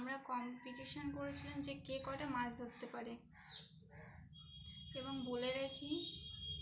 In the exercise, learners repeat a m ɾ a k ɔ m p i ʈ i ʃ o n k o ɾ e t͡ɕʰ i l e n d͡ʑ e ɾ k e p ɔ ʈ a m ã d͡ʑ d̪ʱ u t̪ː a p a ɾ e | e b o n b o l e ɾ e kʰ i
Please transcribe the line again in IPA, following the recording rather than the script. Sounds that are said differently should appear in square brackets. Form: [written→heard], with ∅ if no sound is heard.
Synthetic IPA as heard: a m ɾ a k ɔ m p i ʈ i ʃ o n k o ɾ e t͡ɕʰ i l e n d͡ʑ e [ɾ→∅] k e [p→k] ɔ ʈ a m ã d͡ʑ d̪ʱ [u→o] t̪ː [a→e] p a ɾ e | e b o [n→ŋ] b o l e ɾ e kʰ i